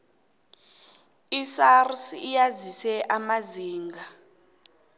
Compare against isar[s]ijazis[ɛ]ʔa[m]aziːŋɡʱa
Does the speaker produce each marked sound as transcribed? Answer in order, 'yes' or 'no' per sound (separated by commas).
yes, yes, yes